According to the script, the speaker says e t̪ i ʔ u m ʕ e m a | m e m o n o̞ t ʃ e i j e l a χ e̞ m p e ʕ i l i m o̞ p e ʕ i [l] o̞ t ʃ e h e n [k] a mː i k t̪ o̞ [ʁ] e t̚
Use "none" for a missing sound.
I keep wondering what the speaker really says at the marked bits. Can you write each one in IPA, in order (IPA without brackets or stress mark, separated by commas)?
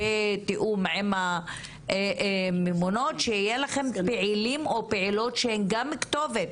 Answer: l, ɡ, v